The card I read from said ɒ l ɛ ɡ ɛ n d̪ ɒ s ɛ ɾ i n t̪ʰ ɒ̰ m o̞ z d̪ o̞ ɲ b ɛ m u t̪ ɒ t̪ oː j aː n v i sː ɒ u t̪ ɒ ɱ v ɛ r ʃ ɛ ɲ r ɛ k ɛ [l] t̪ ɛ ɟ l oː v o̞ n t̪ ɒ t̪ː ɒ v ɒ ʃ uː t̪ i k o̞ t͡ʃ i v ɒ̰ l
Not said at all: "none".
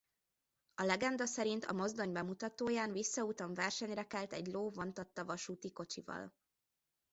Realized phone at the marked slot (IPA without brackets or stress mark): l